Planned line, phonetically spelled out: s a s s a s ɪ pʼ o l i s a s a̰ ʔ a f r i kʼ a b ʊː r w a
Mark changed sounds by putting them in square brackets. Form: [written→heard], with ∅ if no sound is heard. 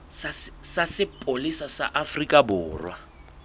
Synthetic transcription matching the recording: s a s s a s ɪ pʼ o l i s a s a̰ ʔ a f r i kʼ a b ʊː r w a